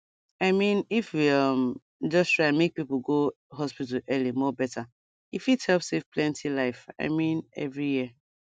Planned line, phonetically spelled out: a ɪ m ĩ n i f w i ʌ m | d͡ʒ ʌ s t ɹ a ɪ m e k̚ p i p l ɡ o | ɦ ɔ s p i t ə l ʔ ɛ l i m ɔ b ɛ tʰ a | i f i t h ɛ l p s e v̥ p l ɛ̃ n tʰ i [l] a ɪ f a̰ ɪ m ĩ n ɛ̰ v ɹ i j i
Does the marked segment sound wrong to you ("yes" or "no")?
no